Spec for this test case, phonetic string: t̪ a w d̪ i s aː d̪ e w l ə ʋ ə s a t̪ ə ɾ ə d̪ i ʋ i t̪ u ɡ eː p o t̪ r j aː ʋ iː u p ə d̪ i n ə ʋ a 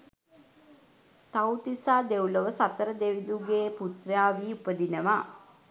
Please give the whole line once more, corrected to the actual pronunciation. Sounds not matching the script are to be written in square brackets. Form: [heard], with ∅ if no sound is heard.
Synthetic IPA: t̪ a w [t̪] i s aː d̪ e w l ə ʋ ə s a t̪ ə ɾ ə d̪ [e] ʋ i [d̪] u ɡ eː p [u] t̪ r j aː ʋ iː u p ə d̪ i n ə ʋ a